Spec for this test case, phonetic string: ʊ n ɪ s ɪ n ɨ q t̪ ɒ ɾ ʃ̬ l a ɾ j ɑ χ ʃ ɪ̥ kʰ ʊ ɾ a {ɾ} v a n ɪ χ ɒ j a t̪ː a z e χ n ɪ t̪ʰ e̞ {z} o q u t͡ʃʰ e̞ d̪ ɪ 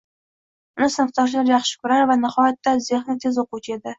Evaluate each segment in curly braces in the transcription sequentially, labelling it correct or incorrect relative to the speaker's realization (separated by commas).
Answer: correct, correct